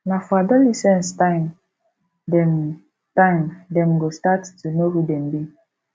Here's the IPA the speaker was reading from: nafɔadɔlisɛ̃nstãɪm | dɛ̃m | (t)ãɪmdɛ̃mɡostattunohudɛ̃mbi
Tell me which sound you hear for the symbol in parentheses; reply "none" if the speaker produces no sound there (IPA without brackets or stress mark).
t